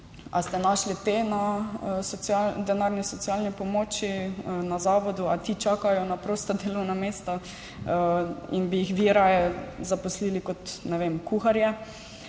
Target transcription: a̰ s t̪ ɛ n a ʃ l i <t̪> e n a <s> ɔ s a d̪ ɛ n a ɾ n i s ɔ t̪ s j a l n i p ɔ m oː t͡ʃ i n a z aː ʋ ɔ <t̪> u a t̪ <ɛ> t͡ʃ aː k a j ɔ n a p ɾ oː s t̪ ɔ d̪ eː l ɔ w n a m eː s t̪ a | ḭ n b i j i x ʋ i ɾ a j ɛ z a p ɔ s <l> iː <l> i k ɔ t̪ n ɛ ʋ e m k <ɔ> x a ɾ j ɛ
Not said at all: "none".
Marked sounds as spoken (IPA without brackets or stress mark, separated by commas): t̪, s, d̪, i, l, l, u